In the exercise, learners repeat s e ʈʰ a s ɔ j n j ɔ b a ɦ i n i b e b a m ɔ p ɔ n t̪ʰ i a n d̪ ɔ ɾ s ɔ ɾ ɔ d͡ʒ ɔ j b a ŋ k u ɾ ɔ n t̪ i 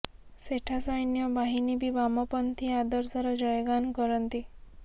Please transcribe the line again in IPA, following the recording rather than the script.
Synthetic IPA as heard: s e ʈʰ a s ɔ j n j ɔ b a ɦ i n i b i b a m ɔ p ɔ n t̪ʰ i a d̪ ɔ ɾ s ɔ ɾ ɔ d͡ʒ ɔ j ɡ a n k ɔ ɾ ɔ n t̪ i